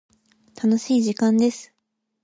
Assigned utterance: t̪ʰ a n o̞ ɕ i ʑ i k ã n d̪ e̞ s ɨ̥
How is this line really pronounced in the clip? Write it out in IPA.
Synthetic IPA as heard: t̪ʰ a n o̞ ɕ iː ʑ i k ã n d̪ e̞ s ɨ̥